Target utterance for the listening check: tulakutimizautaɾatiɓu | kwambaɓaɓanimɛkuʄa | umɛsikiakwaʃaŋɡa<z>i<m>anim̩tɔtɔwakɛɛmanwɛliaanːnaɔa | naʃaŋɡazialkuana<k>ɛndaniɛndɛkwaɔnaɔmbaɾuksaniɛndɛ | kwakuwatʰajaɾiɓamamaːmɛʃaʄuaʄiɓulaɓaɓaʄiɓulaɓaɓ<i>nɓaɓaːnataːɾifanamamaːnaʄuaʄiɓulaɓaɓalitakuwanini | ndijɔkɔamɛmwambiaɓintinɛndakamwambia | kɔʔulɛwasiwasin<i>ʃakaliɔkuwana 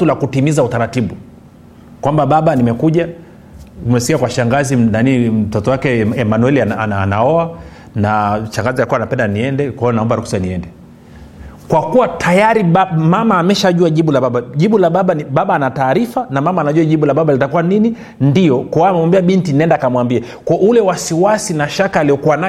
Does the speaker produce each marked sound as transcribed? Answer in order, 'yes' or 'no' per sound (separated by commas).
yes, no, no, no, no